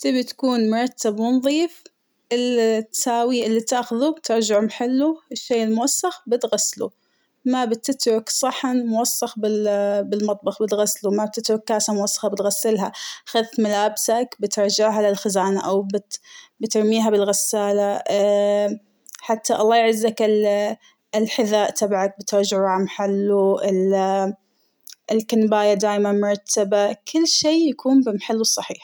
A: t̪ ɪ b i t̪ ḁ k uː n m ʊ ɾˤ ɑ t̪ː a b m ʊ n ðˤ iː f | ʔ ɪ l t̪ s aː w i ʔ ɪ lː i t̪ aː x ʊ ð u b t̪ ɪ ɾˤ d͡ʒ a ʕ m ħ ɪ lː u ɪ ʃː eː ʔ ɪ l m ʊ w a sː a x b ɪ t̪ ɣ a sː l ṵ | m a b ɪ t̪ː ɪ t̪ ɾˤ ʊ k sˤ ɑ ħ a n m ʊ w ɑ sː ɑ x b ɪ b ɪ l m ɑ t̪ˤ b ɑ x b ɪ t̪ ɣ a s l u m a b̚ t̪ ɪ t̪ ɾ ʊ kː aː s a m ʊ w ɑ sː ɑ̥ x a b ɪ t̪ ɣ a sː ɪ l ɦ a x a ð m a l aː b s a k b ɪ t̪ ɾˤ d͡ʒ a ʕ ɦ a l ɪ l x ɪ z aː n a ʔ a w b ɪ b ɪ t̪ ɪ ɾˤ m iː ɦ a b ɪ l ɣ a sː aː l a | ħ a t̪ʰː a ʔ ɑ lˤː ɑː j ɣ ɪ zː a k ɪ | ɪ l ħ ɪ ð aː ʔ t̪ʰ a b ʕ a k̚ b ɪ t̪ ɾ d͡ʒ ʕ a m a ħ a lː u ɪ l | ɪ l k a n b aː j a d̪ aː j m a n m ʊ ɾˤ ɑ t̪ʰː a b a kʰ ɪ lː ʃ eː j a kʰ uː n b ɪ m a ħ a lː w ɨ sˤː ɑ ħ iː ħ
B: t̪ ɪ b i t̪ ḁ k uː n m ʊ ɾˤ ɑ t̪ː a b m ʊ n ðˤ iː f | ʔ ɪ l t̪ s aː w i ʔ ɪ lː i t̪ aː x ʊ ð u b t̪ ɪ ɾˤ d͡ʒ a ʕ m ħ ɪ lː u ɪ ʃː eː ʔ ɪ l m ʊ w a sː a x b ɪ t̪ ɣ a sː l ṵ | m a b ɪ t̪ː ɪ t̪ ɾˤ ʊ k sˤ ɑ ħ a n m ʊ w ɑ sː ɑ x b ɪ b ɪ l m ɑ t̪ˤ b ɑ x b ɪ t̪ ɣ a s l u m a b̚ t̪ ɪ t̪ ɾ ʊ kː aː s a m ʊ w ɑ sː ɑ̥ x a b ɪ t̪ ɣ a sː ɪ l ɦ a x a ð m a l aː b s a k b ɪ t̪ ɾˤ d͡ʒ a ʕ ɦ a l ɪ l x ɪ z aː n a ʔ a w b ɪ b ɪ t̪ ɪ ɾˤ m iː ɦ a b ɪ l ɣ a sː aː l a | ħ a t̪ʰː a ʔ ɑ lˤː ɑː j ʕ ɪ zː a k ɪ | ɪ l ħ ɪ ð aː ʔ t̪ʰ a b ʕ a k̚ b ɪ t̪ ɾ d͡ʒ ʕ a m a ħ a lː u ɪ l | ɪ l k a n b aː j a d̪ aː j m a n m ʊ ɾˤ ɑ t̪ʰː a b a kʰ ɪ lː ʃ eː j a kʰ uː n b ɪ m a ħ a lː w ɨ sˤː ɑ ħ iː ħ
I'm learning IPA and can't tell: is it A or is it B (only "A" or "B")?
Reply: B